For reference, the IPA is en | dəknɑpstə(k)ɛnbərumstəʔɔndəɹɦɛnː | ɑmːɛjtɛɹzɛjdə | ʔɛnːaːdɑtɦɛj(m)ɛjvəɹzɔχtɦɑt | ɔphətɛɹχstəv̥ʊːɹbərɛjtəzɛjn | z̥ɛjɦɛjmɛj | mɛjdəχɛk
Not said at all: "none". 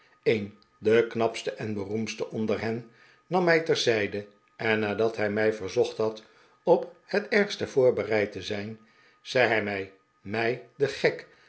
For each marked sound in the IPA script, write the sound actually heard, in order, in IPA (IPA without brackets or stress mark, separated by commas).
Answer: ʔ, m